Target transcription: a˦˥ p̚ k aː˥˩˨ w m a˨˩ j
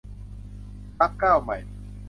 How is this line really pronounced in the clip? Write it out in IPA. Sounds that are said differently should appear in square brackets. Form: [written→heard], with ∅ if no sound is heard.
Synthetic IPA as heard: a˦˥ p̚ k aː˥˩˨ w m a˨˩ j